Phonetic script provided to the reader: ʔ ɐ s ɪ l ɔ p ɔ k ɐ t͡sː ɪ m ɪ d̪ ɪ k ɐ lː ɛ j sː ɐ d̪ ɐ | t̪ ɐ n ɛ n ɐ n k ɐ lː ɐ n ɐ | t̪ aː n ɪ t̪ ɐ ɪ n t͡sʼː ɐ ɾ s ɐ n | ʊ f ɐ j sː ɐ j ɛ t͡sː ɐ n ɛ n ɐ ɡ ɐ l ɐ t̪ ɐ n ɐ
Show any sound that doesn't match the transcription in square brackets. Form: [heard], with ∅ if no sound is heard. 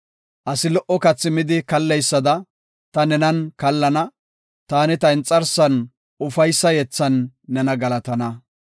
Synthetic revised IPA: ʔ ɐ s ɪ l ɔ [ʔ] ɔ k ɐ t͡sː ɪ m ɪ d̪ ɪ k ɐ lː ɛ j sː ɐ d̪ ɐ | t̪ ɐ n ɛ n ɐ n k ɐ lː ɐ n ɐ | t̪ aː n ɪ t̪ ɐ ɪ n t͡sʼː ɐ ɾ s ɐ n | ʊ f ɐ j sː ɐ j ɛ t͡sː ɐ [nː] ɛ n ɐ ɡ ɐ l ɐ t̪ ɐ n ɐ